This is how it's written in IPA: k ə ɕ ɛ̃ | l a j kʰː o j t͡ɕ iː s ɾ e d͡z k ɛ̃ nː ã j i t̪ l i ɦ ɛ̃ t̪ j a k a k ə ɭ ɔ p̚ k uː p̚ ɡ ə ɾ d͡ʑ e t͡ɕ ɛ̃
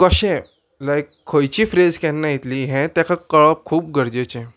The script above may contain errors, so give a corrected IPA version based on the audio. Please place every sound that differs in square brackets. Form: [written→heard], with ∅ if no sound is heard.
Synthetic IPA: k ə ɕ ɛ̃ | l a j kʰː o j t͡ɕ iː [s→f] ɾ e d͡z k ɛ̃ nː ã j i t̪ l i ɦ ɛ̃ t̪ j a k a k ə ɭ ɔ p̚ [k→kʰ] uː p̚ ɡ ə ɾ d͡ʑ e t͡ɕ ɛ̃

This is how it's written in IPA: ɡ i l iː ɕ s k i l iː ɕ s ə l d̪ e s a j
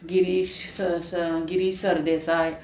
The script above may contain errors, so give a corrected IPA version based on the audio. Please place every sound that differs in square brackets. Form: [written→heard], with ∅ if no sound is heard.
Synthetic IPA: ɡ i [l→ɾ] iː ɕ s [k→ɡ] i [l→ɾ] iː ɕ s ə [l→ɾ] d̪ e s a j

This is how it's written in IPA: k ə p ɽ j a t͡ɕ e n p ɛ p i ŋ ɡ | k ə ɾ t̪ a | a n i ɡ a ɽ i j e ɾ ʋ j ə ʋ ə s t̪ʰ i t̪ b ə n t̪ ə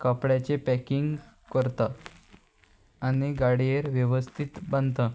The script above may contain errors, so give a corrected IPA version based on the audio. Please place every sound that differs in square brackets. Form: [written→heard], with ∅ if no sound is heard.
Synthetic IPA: k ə p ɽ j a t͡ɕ e [n→∅] p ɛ [p→k] i ŋ ɡ | k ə ɾ t̪ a | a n i ɡ a ɽ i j e ɾ ʋ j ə ʋ ə s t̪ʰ i t̪ b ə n t̪ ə

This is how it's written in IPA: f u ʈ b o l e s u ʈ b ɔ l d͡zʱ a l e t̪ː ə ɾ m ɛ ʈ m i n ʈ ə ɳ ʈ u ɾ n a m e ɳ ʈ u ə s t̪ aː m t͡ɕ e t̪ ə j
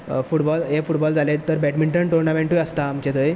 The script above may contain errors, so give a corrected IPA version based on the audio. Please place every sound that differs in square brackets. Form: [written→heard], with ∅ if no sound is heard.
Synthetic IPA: f u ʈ b [o→ɔ] l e [s→f] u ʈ b ɔ l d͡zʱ a l e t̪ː ə ɾ [m→b] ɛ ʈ m i [n→ɳ] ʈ ə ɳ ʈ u ɾ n a m e ɳ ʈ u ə s t̪ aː m t͡ɕ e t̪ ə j

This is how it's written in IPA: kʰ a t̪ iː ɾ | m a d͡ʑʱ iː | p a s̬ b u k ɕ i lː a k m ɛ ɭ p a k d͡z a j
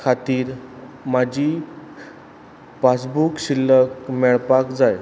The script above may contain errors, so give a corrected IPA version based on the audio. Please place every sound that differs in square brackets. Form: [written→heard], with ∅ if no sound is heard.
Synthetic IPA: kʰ a t̪ iː ɾ | m a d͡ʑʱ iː | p a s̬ b u k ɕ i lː [a→ə] k m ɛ ɭ p a k d͡z a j

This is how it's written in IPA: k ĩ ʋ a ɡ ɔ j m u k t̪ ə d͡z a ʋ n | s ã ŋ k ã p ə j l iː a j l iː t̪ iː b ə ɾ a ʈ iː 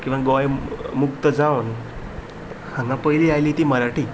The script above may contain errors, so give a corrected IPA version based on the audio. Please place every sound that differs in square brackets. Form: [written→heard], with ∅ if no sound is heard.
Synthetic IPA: k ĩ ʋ a ɡ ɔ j m u k t̪ ə d͡z a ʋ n | [s→h] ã ŋ [k→ɡ] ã p ə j l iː a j l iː t̪ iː [b→m] ə ɾ a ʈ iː

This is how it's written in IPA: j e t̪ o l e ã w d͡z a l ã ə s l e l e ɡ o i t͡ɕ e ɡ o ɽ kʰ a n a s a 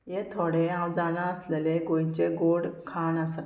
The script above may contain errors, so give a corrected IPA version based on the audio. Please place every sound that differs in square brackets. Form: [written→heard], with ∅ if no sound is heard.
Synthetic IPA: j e [t̪→t̪ʰ] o [l→ɽ] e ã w d͡z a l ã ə s l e l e ɡ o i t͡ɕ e ɡ o ɽ kʰ a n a s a

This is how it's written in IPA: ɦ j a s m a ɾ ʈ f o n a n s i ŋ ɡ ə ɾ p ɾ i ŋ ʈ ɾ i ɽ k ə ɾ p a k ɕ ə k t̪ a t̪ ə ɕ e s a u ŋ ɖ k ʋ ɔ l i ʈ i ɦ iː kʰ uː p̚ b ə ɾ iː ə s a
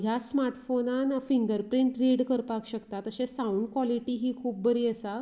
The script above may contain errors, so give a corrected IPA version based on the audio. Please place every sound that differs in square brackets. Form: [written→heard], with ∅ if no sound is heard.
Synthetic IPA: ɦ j a s m a ɾ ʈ f o n a n [s→f] i ŋ ɡ ə ɾ p ɾ i [ŋ→ɳ] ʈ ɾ i ɽ k ə ɾ p a k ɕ ə k t̪ a t̪ ə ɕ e s a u [ŋ→ɳ] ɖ k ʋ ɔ l i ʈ i ɦ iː kʰ uː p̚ b ə ɾ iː ə s a

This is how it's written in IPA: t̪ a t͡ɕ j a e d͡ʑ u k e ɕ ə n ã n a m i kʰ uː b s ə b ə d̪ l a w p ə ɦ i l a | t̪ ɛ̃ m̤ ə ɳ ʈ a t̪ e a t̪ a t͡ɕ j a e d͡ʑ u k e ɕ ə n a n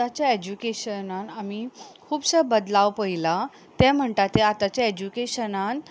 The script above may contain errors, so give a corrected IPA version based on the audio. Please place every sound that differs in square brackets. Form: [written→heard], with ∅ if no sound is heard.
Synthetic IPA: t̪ a t͡ɕ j a e d͡ʑ u k e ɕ ə n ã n a m i kʰ uː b s ə b ə d̪ l a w p ə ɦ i l a | t̪ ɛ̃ m̤ ə ɳ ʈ a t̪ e a t̪ a t͡ɕ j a e d͡ʑ u k e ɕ ə n a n

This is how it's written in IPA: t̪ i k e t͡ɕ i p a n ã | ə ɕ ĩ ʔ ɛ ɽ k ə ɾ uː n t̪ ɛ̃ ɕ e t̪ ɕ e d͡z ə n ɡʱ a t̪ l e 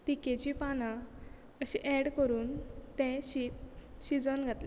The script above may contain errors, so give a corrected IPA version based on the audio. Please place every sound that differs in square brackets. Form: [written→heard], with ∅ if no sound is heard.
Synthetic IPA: t̪ i k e t͡ɕ i p a n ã | ə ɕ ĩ ʔ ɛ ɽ k ə ɾ uː n t̪ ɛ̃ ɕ [e→i] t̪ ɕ [e→i] d͡z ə n ɡʱ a t̪ l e

